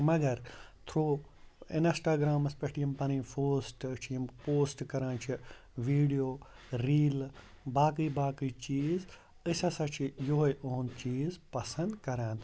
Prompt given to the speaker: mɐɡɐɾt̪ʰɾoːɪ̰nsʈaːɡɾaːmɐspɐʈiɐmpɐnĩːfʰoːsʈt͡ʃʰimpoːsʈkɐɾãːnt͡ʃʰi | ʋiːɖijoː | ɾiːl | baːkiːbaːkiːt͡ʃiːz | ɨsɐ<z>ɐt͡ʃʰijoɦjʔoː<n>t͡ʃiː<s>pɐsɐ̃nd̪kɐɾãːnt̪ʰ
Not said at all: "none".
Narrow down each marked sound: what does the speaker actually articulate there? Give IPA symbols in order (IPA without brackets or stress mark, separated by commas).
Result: s, n, z